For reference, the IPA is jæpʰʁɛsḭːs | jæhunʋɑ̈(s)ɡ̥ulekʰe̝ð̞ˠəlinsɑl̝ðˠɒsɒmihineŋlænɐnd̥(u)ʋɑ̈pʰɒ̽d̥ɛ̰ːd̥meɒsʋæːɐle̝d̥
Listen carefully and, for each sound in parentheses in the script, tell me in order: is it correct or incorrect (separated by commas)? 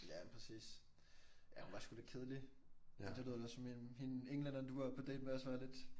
correct, correct